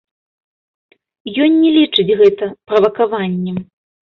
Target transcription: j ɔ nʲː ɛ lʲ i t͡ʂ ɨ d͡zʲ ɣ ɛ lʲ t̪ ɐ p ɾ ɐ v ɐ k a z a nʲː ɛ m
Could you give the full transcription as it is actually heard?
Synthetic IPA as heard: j ɔ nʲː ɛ lʲ i t͡ʂ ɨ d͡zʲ ɣ ɛ t̪ ɐ p ɾ ɐ v ɐ k a v a nʲː ɛ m